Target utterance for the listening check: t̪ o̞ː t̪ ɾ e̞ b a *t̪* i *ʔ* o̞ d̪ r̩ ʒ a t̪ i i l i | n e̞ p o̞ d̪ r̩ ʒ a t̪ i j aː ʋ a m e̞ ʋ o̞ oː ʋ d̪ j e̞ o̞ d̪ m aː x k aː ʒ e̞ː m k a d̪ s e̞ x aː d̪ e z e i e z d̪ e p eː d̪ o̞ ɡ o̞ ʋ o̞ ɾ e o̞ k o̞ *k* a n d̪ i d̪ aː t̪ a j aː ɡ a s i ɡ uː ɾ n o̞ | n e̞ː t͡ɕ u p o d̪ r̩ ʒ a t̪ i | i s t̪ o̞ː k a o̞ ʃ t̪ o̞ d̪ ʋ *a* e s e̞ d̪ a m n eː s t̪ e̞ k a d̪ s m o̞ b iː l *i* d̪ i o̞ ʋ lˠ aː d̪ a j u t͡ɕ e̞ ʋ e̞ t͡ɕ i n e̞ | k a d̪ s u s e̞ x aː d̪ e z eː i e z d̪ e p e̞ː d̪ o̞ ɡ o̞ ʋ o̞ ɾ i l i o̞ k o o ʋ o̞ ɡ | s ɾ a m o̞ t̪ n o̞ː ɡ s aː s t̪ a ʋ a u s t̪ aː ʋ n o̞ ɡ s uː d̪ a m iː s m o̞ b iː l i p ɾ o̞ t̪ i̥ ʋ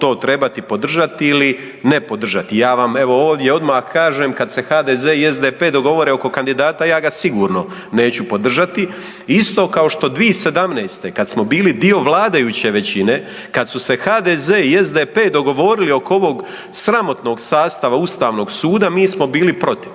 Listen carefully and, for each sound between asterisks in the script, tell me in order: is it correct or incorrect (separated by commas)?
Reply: correct, incorrect, correct, incorrect, correct